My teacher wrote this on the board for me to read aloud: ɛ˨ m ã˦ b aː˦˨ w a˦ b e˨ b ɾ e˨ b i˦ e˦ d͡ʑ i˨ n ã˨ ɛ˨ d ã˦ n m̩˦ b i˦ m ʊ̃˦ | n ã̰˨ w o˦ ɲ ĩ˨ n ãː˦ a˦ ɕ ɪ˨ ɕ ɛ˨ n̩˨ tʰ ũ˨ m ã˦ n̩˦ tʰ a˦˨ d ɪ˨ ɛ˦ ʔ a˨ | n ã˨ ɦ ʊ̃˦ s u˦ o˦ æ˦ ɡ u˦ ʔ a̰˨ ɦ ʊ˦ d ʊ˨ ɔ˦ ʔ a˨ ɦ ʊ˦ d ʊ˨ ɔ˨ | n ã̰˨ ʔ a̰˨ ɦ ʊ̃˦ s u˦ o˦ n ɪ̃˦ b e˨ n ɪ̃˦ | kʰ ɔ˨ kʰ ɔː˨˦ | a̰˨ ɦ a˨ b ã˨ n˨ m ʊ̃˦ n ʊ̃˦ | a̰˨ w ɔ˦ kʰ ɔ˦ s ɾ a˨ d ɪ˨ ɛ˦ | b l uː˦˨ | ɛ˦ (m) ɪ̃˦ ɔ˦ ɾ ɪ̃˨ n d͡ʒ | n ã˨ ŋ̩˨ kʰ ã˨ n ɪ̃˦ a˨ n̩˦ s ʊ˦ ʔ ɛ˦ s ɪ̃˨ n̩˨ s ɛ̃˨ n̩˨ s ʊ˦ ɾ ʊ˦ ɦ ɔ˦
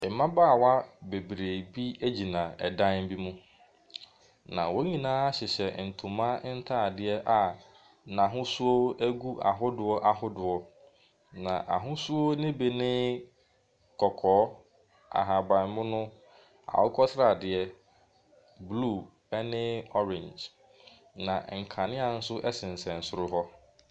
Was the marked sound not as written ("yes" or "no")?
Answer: yes